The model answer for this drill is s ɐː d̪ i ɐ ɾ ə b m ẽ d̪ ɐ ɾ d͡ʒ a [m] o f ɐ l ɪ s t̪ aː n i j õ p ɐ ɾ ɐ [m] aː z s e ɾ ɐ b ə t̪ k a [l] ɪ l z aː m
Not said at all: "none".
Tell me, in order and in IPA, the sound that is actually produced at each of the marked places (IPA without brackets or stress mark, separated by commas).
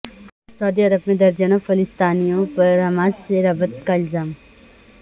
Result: n, m, none